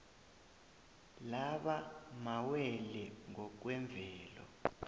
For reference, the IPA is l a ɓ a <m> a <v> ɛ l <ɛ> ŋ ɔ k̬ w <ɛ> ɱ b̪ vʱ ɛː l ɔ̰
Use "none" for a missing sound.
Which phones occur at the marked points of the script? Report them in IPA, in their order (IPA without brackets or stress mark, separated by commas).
m, w, ɛ, ɛ